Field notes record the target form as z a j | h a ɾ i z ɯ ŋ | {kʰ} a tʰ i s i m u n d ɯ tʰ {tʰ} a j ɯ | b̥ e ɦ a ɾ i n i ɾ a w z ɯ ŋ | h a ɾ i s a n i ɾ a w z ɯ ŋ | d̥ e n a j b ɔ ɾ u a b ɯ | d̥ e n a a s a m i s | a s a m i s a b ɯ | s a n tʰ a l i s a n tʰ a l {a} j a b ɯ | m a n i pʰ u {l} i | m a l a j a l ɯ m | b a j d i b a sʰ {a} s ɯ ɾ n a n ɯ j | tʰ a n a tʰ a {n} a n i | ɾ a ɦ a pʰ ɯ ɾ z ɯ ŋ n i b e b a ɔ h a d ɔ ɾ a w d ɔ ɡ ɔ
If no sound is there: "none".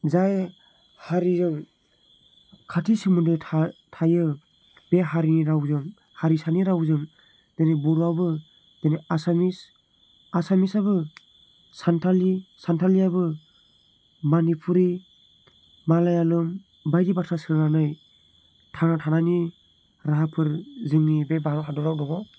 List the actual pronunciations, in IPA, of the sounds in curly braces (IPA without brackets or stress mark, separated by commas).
kʰ, tʰ, i, ɾ, a, n